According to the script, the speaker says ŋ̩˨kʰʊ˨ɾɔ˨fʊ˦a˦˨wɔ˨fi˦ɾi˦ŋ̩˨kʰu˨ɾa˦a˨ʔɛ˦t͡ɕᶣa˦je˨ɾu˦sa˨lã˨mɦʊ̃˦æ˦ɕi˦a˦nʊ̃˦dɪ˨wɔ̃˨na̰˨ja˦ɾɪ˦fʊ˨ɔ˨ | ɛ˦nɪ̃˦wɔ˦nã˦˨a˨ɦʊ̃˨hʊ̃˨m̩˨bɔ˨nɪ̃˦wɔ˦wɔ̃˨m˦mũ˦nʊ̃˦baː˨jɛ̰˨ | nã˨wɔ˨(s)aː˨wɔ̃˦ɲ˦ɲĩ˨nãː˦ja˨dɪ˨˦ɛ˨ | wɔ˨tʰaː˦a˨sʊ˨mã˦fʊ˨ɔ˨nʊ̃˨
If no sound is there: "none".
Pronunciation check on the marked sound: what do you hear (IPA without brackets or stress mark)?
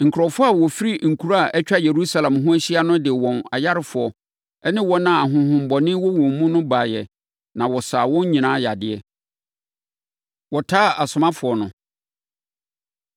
s